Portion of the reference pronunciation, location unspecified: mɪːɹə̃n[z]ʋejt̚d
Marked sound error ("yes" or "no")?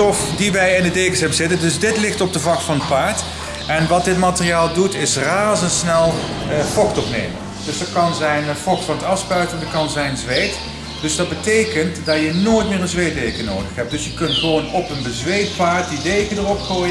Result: no